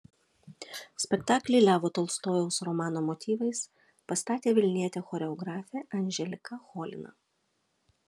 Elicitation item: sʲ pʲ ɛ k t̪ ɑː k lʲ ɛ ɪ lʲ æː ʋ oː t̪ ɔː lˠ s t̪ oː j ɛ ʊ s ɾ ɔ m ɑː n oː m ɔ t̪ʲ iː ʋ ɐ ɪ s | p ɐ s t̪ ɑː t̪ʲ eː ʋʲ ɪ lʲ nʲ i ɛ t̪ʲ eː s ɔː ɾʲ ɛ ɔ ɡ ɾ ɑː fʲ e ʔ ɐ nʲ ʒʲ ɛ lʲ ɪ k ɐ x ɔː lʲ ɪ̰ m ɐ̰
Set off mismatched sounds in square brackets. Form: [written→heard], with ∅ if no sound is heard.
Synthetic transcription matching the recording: sʲ pʲ ɛ k t̪ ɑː k lʲ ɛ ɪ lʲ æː ʋ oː t̪ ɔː lˠ s t̪ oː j ɛ ʊ s ɾ ɔ m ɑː n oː m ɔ t̪ʲ iː ʋ ɐ ɪ s | p ɐ s t̪ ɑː t̪ʲ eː ʋʲ ɪ lʲ nʲ i ɛ t̪ʲ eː [s→x] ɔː ɾʲ ɛ ɔ ɡ ɾ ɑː fʲ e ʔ ɐ nʲ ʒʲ ɛ lʲ ɪ k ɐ x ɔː lʲ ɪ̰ [m→n] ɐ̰